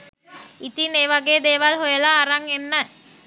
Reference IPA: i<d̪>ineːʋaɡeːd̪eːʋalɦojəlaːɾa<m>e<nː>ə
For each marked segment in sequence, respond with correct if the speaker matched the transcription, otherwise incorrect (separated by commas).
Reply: incorrect, incorrect, correct